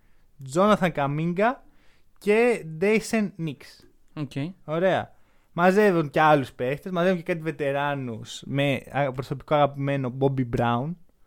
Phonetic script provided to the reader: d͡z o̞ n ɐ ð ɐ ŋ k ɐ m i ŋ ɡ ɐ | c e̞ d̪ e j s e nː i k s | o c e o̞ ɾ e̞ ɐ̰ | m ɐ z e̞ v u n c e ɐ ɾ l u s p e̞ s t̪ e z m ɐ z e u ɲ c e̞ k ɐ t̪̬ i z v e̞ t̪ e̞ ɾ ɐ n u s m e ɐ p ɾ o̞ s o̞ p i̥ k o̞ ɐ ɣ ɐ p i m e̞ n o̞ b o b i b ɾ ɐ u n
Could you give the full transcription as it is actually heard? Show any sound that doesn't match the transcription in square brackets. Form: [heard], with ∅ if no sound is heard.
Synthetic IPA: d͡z o̞ n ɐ [θ] ɐ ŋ k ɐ m i ŋ ɡ ɐ | c e̞ d̪ e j s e nː i k s | o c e o̞ ɾ e̞ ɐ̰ | m ɐ z e̞ v u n c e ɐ [∅] l u s p e̞ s t̪ e z m ɐ z e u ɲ c e̞ k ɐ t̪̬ i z v e̞ t̪ e̞ ɾ ɐ n u s m e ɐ p ɾ o̞ s o̞ p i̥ k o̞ ɐ ɣ ɐ p i m e̞ n o̞ b o b i b ɾ ɐ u n